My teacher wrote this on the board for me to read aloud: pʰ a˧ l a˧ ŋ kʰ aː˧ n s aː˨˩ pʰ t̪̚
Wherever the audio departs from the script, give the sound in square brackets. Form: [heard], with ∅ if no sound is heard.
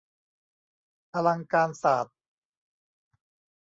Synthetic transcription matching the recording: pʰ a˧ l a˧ ŋ [k] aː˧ n s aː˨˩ [∅] t̪̚